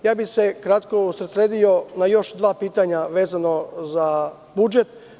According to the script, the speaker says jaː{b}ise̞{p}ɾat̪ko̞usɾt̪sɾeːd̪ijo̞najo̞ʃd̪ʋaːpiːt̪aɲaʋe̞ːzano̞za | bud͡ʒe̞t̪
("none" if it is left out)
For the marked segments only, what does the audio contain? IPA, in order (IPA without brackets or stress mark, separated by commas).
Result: b, k